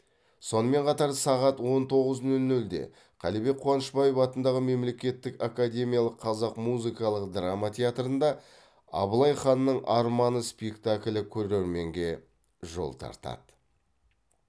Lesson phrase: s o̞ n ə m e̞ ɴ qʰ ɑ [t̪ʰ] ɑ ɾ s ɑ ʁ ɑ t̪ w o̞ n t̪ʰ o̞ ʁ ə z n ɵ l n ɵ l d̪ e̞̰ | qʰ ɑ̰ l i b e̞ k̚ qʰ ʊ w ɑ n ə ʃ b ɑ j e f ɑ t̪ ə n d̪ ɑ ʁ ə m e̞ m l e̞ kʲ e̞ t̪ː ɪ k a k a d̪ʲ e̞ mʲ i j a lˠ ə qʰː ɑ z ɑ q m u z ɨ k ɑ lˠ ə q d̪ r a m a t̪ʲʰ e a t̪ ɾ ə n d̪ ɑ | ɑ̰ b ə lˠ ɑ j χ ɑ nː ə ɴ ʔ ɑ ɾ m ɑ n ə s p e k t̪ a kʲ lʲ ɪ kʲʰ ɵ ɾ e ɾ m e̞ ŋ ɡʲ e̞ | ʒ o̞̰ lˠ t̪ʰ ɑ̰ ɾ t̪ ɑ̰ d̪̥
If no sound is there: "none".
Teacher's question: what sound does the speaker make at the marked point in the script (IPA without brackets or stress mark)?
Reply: t̪